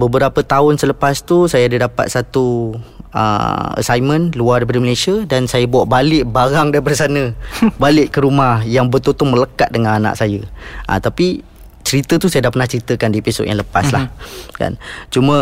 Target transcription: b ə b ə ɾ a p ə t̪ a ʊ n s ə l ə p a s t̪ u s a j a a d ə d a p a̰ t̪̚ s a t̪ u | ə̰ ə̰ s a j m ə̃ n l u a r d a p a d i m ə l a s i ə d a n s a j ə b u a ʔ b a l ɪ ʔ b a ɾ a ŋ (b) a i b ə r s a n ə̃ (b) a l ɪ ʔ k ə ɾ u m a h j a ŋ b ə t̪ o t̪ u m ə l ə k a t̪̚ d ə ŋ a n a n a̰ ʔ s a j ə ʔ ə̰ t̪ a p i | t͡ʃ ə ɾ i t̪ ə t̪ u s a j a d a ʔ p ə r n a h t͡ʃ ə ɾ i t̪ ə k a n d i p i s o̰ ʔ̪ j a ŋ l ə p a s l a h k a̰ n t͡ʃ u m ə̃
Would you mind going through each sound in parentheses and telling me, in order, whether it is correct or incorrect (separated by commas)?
incorrect, correct